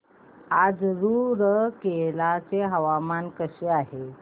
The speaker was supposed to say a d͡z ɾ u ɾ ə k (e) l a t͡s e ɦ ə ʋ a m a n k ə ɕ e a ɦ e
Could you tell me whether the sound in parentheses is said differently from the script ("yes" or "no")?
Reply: no